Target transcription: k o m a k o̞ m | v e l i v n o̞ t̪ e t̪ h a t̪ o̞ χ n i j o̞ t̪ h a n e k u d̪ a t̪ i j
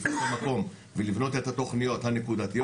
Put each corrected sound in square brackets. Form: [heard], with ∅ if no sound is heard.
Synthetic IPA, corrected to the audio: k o m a k o̞ m | v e l i v n o̞ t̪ e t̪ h a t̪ o̞ χ n i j o̞ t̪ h a n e k u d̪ a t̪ i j